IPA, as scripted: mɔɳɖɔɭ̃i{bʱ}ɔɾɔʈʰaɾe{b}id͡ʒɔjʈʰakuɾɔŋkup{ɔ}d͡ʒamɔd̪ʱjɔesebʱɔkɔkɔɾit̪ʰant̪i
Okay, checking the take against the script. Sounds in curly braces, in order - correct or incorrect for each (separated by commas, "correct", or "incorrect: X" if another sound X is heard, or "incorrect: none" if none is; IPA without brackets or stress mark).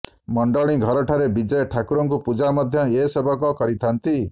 incorrect: ɡʱ, correct, incorrect: u